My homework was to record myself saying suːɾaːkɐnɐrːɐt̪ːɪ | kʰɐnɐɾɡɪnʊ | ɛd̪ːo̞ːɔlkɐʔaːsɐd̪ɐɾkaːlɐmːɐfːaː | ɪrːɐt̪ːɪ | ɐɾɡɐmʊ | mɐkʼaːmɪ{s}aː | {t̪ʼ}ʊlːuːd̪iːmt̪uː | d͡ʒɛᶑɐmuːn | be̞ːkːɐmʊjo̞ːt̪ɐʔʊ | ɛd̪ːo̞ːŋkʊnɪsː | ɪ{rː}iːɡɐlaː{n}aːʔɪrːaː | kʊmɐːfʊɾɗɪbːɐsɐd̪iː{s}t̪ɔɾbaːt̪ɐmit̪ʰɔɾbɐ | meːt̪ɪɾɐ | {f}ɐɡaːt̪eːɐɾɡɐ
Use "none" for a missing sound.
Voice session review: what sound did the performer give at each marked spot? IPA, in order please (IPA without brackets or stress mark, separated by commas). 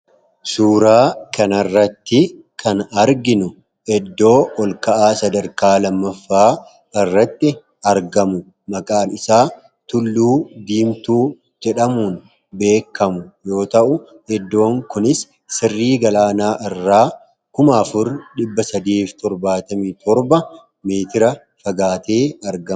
s, t̪, rː, n, f, f